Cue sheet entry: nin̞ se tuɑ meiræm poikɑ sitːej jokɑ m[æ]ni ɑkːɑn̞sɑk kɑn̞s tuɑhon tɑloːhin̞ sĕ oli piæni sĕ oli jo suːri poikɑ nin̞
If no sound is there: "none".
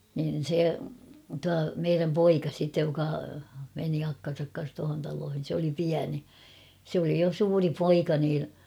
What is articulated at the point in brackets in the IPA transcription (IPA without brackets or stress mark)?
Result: e